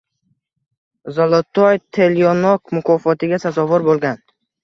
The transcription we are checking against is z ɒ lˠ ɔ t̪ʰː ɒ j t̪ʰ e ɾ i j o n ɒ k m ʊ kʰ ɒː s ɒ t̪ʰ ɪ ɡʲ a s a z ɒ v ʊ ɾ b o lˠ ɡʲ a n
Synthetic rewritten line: z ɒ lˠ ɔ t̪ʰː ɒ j t̪ʰ e l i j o n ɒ k m ʊ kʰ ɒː f ɒ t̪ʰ ɪ ɡʲ a s a z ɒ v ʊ ɾ b o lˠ ɡʲ a n